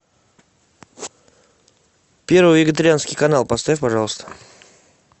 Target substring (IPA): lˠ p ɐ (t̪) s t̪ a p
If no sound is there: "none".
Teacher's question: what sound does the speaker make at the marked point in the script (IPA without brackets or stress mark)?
none